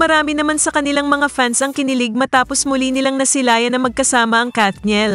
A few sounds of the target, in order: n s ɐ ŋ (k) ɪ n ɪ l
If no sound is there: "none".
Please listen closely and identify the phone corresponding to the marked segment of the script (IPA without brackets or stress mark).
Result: k